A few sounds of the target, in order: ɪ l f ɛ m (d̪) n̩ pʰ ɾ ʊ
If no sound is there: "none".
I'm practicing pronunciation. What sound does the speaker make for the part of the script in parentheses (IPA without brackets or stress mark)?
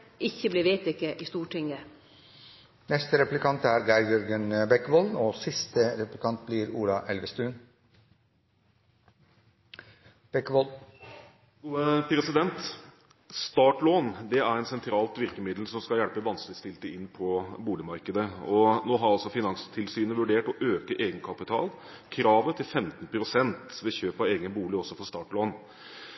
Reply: t̪